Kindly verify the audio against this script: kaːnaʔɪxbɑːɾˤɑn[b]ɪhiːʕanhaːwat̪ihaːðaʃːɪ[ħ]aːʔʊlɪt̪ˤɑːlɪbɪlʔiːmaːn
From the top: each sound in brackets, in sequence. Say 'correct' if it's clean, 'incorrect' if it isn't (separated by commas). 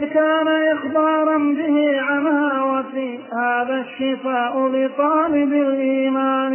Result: correct, incorrect